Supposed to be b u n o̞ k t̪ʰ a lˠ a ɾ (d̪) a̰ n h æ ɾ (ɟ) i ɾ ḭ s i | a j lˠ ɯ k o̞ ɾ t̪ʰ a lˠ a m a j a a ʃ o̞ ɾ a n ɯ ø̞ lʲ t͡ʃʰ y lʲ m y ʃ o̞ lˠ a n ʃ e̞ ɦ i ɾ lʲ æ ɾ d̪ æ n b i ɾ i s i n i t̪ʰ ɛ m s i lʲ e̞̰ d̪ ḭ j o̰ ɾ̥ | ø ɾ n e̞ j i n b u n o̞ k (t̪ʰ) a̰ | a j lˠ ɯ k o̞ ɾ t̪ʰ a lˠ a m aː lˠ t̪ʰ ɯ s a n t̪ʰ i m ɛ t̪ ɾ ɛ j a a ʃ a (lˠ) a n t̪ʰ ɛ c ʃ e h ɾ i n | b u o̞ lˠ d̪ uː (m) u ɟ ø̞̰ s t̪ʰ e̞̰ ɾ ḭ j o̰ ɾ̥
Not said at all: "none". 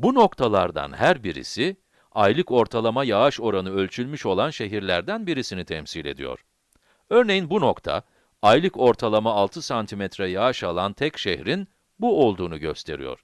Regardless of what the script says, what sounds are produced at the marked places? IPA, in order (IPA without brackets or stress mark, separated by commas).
d̪, b, t̪ʰ, lˠ, n